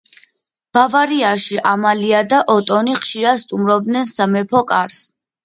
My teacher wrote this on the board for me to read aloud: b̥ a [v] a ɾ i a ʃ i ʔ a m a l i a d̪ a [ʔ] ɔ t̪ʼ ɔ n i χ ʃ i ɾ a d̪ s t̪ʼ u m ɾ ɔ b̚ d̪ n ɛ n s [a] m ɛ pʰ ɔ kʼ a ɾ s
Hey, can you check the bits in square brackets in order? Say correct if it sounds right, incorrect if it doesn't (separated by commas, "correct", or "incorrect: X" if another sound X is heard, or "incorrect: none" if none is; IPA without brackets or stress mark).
correct, correct, correct